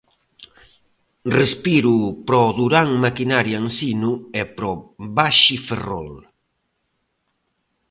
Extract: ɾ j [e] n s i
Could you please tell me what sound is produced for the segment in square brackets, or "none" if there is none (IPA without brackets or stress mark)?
a